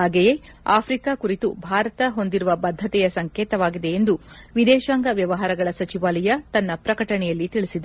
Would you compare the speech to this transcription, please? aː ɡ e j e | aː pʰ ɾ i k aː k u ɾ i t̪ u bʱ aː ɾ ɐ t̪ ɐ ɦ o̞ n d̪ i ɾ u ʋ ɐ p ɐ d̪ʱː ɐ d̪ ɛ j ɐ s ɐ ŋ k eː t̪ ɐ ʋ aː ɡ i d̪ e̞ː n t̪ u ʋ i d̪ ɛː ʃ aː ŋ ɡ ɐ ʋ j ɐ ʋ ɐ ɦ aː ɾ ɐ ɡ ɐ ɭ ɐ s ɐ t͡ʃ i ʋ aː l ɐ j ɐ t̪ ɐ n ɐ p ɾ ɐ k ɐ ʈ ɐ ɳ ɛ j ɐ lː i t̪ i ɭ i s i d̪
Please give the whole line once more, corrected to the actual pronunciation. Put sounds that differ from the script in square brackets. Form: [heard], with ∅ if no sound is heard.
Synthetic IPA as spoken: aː ɡ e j e | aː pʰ ɾ i k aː k u ɾ i t̪ u bʱ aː ɾ ɐ t̪ ɐ ɦ o̞ n d̪ i ɾ u ʋ ɐ [b] ɐ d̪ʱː ɐ [t̪] ɛ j ɐ s ɐ ŋ k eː t̪ ɐ ʋ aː ɡ i d̪ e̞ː n [d̪] u ʋ i d̪ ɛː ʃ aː ŋ ɡ ɐ ʋ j ɐ ʋ ɐ ɦ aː ɾ ɐ ɡ ɐ ɭ ɐ s ɐ t͡ʃ i ʋ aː l ɐ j ɐ t̪ ɐ [nː] ɐ p ɾ ɐ k ɐ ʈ ɐ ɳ ɛ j ɐ lː i t̪ i ɭ i s i d̪